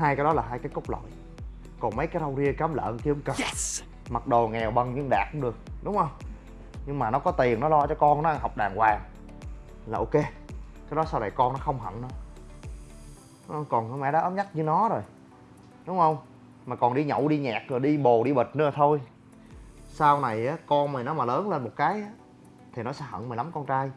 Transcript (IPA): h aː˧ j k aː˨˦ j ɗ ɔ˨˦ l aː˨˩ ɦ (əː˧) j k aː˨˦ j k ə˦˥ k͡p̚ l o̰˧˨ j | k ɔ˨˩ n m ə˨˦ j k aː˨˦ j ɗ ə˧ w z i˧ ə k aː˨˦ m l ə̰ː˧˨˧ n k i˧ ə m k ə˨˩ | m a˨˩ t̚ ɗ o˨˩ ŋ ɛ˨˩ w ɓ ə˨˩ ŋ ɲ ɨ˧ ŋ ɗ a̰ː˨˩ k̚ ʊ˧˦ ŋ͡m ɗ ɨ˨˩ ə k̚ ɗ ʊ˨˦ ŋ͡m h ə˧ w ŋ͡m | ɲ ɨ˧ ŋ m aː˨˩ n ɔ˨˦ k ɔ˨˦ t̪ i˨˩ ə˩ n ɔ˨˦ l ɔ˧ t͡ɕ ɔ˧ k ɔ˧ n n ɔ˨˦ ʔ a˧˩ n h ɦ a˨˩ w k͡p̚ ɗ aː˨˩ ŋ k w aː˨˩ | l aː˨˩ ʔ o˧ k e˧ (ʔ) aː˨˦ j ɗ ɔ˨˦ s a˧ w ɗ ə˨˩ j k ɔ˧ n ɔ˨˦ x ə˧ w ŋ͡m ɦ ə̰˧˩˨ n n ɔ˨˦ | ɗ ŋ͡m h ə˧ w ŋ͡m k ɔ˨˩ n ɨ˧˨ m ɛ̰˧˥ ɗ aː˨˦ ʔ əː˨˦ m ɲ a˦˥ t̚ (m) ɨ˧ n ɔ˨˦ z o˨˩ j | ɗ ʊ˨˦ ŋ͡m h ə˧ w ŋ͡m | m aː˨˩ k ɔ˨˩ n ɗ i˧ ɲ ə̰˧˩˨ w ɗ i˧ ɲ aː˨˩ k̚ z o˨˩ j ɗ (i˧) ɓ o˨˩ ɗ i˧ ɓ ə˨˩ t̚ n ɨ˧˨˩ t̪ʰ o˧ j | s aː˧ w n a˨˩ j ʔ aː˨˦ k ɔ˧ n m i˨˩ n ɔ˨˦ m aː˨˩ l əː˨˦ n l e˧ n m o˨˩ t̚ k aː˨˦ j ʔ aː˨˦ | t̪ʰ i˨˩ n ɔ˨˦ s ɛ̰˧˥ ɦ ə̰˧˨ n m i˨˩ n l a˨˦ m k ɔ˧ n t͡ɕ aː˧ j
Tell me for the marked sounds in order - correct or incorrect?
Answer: incorrect, incorrect, incorrect, correct

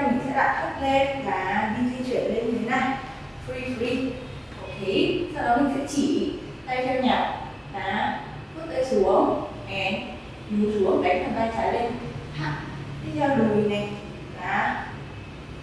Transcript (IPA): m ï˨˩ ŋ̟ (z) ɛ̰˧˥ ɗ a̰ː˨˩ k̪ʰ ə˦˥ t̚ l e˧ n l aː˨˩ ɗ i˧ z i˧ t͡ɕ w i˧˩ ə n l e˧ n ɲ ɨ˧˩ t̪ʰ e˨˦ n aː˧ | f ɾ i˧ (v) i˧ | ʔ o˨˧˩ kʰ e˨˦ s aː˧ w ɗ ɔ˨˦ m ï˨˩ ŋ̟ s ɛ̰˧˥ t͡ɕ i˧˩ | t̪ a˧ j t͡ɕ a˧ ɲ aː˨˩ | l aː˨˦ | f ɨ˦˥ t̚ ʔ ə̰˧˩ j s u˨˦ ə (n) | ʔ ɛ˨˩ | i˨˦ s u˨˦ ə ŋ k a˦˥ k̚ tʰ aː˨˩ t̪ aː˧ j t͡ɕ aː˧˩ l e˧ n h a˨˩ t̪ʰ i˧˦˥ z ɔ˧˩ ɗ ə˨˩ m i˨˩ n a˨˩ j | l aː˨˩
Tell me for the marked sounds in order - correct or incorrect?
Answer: incorrect, incorrect, incorrect

